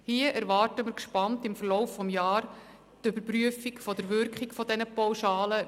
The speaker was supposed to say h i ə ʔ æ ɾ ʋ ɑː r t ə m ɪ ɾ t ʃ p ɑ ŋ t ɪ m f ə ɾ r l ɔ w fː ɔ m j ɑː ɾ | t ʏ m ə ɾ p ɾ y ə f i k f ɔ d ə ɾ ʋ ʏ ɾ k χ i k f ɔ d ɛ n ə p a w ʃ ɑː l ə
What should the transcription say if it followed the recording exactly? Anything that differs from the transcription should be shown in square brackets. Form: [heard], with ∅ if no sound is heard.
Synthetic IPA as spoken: h i ə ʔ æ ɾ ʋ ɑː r t ə m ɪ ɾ [k] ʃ p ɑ [n] t ɪ m f ə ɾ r l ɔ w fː ɔ m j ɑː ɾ | t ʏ [b] ə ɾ p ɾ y ə f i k f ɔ d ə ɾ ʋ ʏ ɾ k χ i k f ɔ d ɛ n ə p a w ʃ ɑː l ə

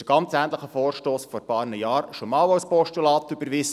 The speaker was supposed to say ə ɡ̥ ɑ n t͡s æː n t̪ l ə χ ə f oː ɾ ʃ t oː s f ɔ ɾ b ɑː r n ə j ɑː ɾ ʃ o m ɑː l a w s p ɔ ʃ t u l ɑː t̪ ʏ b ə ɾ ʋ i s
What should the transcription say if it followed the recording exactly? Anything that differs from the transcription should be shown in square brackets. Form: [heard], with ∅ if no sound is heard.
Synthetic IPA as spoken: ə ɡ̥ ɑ n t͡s æː n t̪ l ə χ ə f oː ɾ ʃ t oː s f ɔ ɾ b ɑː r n ə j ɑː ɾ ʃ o m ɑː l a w s p ɔ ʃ t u l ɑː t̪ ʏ b ə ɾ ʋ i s

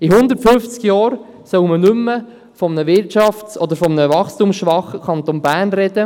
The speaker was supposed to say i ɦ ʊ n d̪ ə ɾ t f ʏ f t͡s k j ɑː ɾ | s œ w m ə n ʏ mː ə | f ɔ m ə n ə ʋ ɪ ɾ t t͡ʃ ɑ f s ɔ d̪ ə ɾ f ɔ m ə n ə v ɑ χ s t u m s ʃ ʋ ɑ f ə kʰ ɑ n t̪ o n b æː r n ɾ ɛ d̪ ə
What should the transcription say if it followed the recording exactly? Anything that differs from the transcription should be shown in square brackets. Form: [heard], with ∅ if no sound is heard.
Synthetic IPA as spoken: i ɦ ʊ n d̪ ə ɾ t f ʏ f t͡s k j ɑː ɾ | s œ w m ə n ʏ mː ə | f ɔ m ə n ə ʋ ɪ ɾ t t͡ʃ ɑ f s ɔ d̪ ə ɾ f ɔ m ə n ə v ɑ χ s t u m s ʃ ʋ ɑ [χ] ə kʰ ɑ n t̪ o n b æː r n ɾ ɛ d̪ ə

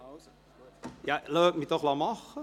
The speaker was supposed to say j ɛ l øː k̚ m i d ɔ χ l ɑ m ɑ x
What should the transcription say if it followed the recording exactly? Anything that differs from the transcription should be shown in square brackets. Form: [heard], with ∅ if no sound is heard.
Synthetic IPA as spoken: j [a] l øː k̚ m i [t] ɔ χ l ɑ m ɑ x

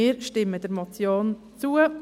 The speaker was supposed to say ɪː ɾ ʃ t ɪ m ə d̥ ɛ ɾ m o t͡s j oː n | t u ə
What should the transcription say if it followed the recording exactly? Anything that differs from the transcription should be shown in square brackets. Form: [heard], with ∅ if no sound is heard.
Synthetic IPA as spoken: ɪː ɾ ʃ t ɪ m ə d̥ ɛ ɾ m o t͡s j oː n | [t͡s] u ə

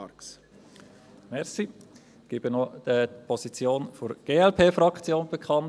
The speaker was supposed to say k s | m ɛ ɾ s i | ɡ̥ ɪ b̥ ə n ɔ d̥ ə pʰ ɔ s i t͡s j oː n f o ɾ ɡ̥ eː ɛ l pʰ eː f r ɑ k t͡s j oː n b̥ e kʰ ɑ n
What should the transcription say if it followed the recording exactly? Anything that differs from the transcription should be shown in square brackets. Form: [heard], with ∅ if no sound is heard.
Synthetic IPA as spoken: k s | m ɛ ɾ s i | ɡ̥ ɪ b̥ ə n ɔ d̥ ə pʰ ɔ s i t͡s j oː n f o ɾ ɡ̥ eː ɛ l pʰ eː f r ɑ k t͡s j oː n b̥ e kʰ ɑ n

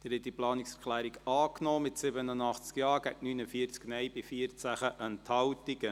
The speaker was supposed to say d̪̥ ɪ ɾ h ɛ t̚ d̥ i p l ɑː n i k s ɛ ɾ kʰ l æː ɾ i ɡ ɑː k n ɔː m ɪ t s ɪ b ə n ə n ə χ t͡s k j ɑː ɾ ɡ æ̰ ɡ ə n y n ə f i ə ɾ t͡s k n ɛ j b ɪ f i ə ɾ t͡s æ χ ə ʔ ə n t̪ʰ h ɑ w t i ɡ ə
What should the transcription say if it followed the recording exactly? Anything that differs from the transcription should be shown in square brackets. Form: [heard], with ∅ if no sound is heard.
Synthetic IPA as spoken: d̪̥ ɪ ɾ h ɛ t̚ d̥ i p l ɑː n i k s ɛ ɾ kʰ l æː ɾ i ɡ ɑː k n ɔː m ɪ t s ɪ b ə n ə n [ɑ] χ t͡s k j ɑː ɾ ɡ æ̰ ɡ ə n y n ə f i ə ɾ t͡s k n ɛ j b ɪ f i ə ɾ t͡s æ χ ə ʔ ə n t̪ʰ h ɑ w t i ɡ ə

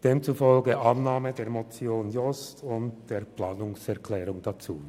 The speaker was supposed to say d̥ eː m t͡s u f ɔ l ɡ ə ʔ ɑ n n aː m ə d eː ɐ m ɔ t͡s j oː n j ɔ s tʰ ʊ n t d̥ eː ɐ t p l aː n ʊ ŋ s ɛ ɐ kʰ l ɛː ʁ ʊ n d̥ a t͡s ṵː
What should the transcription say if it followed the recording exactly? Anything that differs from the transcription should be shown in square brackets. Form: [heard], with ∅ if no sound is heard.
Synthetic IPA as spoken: d̥ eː m t͡s u f ɔ l ɡ ə ʔ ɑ n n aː m ə d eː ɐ m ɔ t͡s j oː n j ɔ s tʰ ʊ n t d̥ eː ɐ [∅] p l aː n ʊ ŋ s ɛ ɐ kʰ l ɛː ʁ ʊ [ŋ] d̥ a t͡s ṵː

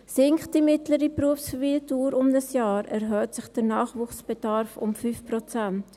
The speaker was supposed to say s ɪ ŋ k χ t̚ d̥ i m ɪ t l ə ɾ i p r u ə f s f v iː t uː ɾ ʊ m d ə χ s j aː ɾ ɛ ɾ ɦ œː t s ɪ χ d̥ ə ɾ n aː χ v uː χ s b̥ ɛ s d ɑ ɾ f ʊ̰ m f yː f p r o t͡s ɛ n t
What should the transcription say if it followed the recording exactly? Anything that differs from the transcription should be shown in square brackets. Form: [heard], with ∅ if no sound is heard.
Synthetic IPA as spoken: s ɪ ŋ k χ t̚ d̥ i m ɪ t l ə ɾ i p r u ə f s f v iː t uː ɾ ʊ m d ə [∅] s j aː ɾ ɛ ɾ ɦ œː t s ɪ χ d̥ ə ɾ n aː χ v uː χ s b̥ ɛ [∅] d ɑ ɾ f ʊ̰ m f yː f p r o t͡s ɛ n t

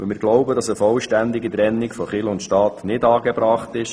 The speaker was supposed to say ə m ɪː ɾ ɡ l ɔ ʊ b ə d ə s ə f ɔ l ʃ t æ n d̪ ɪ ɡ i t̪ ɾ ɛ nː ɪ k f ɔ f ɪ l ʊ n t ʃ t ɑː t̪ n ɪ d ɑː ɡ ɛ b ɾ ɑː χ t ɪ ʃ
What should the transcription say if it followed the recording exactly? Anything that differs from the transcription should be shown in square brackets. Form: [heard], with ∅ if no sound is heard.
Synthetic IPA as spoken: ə m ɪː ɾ ɡ l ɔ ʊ b ə d [ɑ] s ə f ɔ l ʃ t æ n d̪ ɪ ɡ i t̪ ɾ ɛ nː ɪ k f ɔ [χ] ɪ l ʊ n t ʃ t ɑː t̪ n ɪ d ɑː ɡ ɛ b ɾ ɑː χ t ɪ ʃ

